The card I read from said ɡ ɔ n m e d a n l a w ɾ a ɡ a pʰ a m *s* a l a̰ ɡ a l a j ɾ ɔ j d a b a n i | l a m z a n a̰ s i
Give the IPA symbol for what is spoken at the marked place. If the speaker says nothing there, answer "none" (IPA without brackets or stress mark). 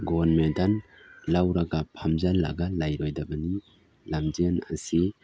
z